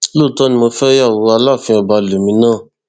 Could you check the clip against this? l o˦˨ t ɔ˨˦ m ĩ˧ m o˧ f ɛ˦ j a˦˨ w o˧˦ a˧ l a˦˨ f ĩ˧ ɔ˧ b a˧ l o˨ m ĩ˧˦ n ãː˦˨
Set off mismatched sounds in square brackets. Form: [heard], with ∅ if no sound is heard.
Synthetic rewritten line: l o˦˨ t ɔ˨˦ [n] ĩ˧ m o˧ f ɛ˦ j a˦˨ w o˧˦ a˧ l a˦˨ f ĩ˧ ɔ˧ b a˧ l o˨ m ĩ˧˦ n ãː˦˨